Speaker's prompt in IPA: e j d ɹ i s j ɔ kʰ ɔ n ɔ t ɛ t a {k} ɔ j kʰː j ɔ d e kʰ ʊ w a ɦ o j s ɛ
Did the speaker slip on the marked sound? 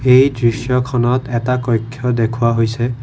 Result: no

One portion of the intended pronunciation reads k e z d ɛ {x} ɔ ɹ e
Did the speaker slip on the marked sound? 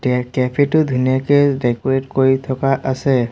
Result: yes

